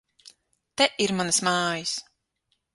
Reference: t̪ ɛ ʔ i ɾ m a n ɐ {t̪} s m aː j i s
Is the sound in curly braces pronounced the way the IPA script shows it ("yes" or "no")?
no